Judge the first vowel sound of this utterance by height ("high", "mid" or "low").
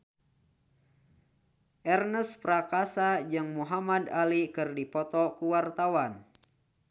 mid